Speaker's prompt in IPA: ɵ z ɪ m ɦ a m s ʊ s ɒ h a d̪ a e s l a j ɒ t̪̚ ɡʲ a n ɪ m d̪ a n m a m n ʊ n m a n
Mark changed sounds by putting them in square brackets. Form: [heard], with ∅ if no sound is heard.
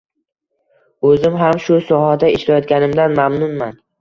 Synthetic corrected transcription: ɵ z ɪ m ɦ a m [ʃ] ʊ s ɒ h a d̪ a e [ʃ] l a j ɒ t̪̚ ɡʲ a n ɪ m d̪ a n m a m n ʊ n m a n